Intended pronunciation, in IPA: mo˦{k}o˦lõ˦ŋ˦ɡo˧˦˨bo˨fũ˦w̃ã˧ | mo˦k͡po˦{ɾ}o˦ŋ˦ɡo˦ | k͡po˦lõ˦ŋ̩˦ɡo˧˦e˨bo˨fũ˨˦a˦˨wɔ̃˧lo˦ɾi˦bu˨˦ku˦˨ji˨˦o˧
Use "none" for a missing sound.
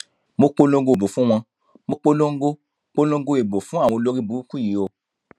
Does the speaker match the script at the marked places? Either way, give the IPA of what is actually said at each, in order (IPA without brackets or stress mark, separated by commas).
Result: k͡p, l